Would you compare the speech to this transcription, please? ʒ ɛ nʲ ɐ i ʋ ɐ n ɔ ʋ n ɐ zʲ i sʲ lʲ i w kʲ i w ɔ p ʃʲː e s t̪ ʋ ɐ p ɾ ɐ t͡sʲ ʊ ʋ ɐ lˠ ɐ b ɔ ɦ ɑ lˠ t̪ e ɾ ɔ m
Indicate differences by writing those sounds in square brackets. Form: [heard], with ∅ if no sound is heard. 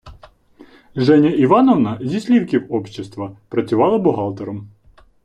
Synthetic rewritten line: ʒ ɛ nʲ ɐ i ʋ [ɑ] n ɔ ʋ n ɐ zʲ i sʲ lʲ i w kʲ i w ɔ p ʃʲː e s t̪ ʋ ɐ p ɾ ɐ t͡sʲ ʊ ʋ [ɑ] lˠ ɐ b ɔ ɦ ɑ lˠ t̪ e ɾ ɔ m

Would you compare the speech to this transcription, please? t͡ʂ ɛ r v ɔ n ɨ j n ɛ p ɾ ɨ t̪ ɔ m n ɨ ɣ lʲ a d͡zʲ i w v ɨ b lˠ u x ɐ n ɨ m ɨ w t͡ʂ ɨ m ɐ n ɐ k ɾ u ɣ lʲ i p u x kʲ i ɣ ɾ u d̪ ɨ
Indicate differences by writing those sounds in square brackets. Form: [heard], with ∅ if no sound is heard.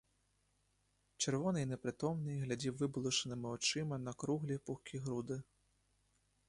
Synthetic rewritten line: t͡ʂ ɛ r v ɔ n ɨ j n ɛ p ɾ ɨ t̪ ɔ m n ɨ ɣ lʲ a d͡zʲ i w v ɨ b lˠ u [ʂ] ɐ n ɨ m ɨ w t͡ʂ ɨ m ɐ n ɐ k ɾ u ɣ lʲ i p u x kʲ i ɣ ɾ u d̪ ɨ

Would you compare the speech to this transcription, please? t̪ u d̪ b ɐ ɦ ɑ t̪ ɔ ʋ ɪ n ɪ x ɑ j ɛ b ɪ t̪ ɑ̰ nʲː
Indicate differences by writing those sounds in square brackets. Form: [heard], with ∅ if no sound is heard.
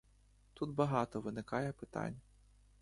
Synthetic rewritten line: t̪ u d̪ b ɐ ɦ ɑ t̪ ɔ ʋ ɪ n ɪ [k] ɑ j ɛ [p] ɪ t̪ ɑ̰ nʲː

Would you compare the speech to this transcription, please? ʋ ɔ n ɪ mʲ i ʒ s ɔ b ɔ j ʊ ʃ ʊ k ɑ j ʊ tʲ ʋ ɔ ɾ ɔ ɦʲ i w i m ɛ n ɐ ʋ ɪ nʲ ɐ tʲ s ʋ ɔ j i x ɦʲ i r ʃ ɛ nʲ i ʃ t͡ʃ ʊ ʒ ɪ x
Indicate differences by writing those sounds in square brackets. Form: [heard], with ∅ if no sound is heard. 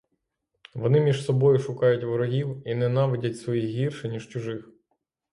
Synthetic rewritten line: ʋ ɔ n ɪ mʲ i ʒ s ɔ b ɔ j ʊ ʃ ʊ k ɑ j ʊ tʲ ʋ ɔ ɾ ɔ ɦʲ i w i [n] ɛ n [ɑ] ʋ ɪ [dʲ] ɐ tʲ s ʋ ɔ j i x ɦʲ i r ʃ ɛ nʲ i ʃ t͡ʃ ʊ ʒ ɪ x

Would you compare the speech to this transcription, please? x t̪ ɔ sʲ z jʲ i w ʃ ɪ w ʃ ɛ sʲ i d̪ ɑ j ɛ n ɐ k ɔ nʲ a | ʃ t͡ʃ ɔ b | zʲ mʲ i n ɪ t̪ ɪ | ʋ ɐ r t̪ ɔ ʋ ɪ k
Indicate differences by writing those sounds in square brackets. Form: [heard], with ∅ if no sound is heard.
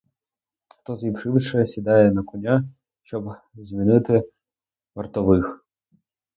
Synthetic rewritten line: x t̪ ɔ [∅] z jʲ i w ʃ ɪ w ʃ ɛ sʲ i d̪ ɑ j ɛ n ɐ k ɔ nʲ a | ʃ t͡ʃ ɔ b | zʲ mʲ i n ɪ t̪ ɪ | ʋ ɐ r t̪ ɔ ʋ ɪ [x]

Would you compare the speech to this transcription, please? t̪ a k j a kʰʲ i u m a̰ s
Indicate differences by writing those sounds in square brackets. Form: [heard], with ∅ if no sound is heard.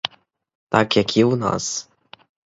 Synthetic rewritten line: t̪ a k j a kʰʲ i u [n] a̰ s

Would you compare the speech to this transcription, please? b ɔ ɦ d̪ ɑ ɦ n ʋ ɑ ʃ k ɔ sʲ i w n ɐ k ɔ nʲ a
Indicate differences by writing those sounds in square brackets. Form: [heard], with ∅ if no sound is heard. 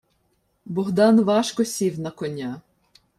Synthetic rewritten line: b ɔ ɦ d̪ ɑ [∅] n ʋ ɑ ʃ k ɔ sʲ i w n ɐ k ɔ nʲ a

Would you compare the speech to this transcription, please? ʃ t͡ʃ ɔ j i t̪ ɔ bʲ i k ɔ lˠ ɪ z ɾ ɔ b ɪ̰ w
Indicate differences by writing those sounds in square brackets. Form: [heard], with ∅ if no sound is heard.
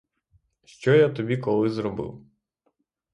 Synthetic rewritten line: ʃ t͡ʃ ɔ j [a] t̪ ɔ bʲ i k ɔ lˠ ɪ z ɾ ɔ b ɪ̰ w

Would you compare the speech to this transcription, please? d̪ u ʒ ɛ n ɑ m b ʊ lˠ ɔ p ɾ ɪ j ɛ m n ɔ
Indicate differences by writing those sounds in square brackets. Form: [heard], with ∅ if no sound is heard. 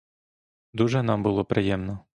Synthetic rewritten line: d̪ u ʒ ɛ n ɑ m b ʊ lˠ ɔ p ɾ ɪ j ɛ m n ɔ

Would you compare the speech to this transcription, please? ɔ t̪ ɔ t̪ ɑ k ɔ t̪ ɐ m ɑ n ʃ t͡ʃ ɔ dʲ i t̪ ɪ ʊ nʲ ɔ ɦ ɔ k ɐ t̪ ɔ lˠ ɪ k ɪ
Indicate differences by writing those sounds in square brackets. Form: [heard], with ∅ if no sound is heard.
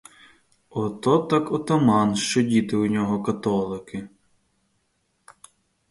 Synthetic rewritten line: ɔ t̪ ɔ t̪ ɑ k ɔ t̪ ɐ m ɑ n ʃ t͡ʃ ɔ dʲ i t̪ ɪ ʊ nʲ ɔ ɦ ɔ k ɐ t̪ ɔ lˠ ɪ k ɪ

